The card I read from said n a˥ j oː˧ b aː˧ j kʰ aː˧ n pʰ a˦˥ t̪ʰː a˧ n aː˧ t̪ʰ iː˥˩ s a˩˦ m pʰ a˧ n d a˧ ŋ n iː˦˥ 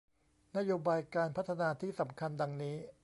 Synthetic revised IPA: n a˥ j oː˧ b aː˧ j k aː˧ n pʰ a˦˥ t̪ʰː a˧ n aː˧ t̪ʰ iː˥˩ s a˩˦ m kʰ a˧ n d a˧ ŋ n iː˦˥